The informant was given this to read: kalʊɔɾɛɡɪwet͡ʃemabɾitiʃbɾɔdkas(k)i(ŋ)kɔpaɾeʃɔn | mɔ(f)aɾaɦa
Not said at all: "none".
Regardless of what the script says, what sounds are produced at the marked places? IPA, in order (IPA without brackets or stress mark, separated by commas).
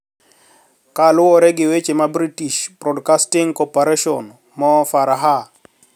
t, ŋ, f